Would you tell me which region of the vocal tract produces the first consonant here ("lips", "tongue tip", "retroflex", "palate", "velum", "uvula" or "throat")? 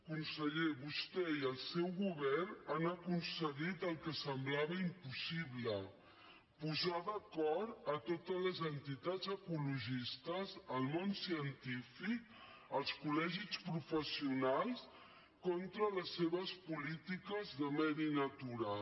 velum